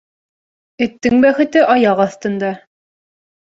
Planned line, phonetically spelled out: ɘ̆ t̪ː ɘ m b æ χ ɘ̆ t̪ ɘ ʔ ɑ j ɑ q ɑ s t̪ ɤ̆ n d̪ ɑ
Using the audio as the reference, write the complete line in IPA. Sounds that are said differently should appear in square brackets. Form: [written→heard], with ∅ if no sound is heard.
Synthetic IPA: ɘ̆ t̪ː ɘ [m→ŋ] b æ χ ɘ̆ t̪ ɘ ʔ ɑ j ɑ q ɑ [s→θ] t̪ ɤ̆ n d̪ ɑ